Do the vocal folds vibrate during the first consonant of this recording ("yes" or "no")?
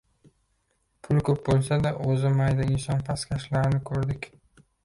no